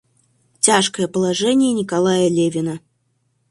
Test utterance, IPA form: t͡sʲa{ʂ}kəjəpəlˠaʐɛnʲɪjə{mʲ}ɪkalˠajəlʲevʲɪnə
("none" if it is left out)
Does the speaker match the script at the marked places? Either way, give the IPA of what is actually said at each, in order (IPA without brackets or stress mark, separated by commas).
ʂ, nʲ